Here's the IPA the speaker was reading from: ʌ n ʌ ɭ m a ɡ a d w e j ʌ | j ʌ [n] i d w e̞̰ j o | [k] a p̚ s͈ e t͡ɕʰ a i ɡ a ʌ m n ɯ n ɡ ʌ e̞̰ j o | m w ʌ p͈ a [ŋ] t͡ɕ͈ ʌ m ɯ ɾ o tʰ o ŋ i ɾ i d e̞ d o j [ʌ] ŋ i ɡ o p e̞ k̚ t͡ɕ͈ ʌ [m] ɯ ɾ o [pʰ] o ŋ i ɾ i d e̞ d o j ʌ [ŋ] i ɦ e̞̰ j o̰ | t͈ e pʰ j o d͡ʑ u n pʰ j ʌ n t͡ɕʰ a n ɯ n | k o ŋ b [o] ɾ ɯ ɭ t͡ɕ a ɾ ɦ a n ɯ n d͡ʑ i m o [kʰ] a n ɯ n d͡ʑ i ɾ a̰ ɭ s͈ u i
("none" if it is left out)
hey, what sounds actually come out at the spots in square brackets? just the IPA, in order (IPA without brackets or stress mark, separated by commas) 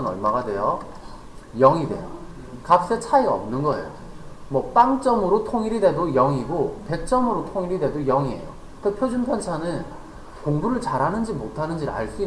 ŋ, k, ŋ, ʌ, m, tʰ, ŋ, u, tʰ